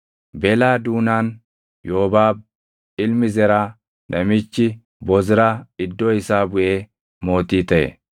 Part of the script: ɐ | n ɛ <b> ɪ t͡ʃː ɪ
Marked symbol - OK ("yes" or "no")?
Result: no